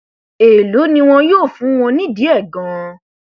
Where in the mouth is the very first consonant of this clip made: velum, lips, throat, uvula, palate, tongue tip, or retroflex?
tongue tip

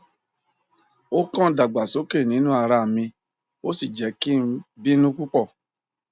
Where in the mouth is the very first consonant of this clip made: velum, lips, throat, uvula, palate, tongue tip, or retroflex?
velum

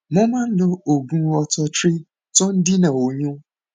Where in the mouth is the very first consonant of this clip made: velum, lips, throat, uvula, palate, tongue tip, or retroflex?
lips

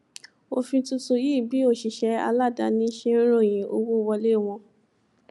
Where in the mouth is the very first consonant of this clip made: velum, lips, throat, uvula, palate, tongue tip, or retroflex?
lips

